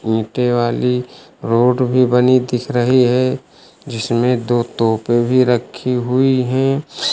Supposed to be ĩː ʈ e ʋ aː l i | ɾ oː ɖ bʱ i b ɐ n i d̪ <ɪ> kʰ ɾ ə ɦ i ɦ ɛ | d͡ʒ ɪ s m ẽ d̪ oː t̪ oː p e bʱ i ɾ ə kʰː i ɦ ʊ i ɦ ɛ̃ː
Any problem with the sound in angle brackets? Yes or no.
no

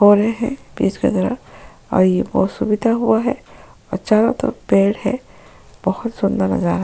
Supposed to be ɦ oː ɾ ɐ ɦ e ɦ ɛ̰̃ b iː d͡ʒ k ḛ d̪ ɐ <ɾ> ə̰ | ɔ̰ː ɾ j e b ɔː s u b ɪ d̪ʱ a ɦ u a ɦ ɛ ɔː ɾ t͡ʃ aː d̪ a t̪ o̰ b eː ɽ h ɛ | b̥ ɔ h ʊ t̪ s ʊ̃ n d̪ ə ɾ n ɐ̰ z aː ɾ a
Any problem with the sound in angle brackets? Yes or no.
no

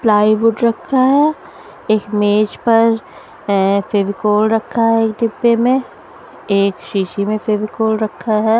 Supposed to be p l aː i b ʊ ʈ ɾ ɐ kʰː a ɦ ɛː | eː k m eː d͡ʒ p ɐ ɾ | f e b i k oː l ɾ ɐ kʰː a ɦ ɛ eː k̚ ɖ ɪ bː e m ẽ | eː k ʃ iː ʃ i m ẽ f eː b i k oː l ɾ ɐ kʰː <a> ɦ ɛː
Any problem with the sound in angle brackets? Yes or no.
no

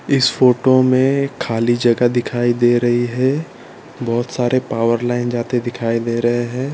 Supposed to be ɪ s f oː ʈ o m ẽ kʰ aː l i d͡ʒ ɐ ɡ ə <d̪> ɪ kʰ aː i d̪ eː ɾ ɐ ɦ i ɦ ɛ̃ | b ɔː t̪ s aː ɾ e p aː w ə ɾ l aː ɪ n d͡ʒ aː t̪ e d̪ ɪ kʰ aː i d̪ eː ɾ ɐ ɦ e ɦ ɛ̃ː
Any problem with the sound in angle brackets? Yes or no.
no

